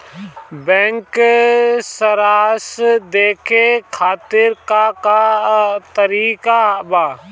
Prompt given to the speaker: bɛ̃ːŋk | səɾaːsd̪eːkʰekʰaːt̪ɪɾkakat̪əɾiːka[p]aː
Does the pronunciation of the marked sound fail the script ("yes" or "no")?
yes